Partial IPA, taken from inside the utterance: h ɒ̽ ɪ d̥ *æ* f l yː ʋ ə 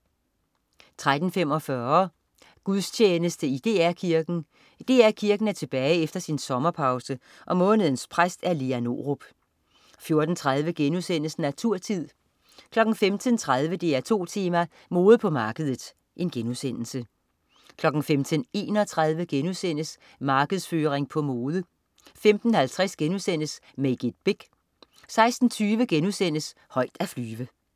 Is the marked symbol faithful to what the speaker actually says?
yes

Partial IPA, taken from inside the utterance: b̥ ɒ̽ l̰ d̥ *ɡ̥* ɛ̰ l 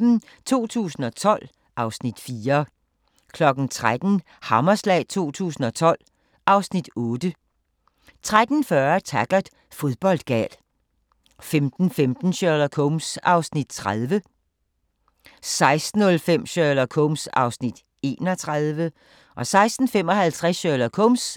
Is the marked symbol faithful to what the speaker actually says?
yes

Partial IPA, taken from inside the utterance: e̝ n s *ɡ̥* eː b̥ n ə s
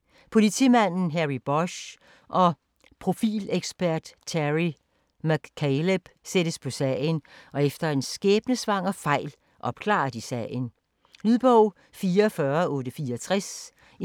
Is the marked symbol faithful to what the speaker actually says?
yes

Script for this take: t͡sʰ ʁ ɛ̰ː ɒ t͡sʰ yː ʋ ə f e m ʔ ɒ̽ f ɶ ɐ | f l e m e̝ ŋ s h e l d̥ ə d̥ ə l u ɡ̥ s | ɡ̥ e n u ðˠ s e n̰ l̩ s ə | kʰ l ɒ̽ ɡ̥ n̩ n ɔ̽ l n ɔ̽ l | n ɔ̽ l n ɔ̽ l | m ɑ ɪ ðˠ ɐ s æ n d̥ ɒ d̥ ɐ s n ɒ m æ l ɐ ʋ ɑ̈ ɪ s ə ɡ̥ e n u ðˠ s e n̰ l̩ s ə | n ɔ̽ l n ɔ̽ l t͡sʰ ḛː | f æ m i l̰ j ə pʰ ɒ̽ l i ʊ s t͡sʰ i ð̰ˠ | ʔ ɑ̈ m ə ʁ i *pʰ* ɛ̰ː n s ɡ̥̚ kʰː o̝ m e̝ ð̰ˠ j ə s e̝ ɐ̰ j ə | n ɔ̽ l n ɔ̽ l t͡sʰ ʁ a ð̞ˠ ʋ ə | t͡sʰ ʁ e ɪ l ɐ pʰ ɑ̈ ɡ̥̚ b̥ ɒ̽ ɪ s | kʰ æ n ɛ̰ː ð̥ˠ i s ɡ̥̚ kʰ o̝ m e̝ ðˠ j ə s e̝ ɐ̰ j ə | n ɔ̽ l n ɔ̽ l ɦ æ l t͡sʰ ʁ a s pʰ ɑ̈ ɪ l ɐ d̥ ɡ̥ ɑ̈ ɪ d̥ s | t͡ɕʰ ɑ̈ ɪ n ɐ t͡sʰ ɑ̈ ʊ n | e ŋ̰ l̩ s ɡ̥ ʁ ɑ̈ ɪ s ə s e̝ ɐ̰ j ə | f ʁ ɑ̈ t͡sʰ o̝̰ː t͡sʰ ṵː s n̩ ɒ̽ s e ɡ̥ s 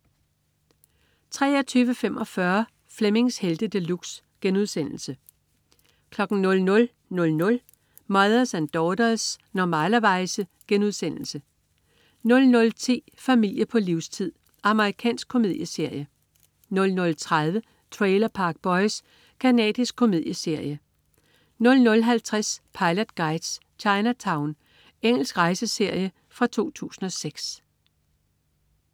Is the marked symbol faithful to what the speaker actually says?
no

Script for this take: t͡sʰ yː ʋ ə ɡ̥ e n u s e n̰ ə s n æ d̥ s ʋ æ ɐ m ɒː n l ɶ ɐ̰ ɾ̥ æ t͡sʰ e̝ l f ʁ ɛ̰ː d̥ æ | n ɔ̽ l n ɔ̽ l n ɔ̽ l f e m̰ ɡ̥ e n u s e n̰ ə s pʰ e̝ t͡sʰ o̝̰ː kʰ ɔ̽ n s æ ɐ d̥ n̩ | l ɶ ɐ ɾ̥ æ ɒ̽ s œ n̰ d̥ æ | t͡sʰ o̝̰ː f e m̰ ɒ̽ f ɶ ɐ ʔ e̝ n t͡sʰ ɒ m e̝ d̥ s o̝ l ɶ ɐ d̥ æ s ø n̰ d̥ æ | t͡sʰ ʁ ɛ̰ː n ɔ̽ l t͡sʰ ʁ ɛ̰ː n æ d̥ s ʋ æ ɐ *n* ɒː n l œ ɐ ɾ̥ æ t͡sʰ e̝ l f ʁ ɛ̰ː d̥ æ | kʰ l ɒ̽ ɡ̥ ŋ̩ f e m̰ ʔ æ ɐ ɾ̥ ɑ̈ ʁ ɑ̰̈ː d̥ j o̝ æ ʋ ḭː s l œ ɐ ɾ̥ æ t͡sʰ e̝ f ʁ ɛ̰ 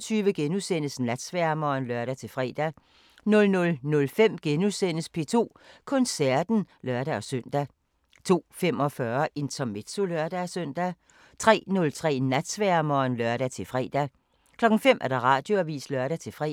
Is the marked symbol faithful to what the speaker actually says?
no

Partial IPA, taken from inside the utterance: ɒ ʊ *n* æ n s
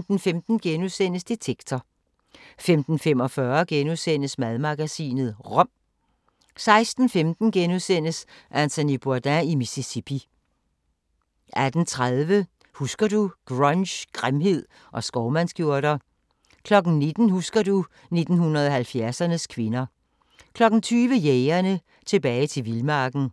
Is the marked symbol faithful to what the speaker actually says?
no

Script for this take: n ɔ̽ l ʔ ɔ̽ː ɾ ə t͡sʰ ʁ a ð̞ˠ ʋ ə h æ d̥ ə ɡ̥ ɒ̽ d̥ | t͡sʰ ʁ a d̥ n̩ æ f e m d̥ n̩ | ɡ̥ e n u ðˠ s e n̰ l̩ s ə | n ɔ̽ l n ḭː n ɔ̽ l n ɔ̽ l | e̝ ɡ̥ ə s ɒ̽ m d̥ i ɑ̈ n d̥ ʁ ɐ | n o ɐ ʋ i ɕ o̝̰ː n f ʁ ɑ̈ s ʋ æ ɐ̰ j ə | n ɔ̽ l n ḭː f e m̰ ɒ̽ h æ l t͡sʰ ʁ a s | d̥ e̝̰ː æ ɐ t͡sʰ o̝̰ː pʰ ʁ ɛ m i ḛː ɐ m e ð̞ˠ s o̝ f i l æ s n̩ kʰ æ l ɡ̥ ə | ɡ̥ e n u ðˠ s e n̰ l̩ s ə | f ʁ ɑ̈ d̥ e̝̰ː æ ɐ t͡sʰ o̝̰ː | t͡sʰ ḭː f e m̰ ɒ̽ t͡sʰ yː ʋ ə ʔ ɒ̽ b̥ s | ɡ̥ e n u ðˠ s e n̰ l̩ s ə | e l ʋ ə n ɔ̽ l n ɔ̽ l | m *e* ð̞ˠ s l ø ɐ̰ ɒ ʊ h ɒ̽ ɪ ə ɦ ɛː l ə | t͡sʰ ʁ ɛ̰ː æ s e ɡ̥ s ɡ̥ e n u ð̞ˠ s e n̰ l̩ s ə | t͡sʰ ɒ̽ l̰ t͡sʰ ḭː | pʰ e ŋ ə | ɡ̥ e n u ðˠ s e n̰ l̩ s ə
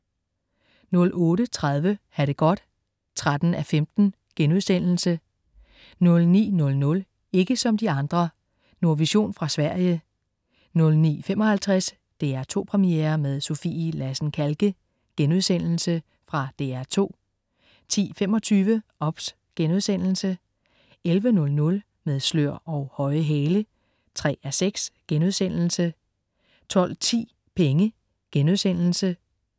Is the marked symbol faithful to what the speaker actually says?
yes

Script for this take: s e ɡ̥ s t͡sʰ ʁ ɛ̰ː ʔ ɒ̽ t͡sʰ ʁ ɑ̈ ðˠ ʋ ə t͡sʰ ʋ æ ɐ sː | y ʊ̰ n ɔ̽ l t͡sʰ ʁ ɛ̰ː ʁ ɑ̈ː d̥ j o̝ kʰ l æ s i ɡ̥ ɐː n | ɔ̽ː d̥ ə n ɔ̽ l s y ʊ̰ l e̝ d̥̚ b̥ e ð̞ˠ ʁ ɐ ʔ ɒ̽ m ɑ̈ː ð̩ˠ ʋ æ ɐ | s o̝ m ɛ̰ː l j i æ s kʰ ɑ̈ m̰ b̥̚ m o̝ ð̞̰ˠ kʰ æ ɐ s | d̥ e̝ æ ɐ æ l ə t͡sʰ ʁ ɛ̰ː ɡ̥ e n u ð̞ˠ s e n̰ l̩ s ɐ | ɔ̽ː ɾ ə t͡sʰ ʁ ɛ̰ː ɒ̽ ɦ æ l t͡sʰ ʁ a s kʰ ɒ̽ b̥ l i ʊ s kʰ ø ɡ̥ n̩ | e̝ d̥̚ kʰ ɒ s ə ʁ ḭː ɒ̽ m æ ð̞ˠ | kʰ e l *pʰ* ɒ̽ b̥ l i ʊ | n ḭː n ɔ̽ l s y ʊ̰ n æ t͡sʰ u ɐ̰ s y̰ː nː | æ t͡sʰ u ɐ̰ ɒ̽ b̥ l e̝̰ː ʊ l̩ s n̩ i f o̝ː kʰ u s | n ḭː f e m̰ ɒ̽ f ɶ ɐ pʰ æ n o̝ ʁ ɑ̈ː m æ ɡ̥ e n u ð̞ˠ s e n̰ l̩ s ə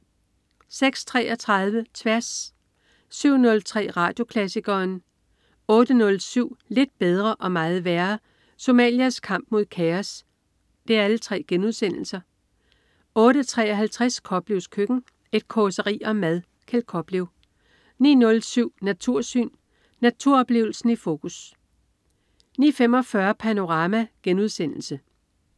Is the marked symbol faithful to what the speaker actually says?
no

